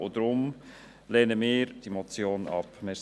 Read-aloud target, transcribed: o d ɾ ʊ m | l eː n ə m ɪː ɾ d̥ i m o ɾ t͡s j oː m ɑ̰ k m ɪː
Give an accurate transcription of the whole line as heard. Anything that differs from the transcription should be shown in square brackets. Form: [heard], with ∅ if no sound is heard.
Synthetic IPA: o d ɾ ʊ m | l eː n ə m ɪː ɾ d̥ i m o [∅] t͡s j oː [n] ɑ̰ [p] m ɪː